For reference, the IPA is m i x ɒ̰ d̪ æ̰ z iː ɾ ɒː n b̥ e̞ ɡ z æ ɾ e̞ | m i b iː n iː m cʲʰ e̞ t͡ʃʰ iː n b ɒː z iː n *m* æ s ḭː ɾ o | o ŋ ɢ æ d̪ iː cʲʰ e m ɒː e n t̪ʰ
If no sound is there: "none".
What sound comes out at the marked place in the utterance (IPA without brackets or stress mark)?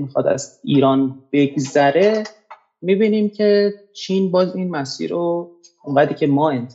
m